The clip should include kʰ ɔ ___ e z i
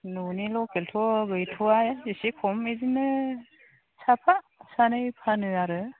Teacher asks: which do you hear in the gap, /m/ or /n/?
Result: m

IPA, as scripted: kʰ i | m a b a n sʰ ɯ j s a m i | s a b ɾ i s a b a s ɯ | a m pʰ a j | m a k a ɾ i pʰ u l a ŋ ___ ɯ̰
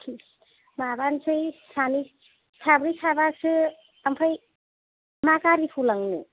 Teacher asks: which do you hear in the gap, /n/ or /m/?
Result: n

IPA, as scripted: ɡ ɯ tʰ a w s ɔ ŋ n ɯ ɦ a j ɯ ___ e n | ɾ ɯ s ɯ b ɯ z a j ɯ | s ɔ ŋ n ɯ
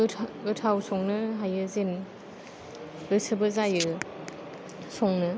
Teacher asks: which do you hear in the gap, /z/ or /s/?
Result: z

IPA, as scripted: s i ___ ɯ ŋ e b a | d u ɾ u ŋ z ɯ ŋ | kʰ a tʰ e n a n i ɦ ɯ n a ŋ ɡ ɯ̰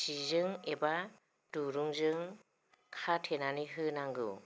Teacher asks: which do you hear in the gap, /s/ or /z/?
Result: z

